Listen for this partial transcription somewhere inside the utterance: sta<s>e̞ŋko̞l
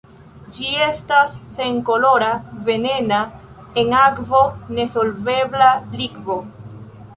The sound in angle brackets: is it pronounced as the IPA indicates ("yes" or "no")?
no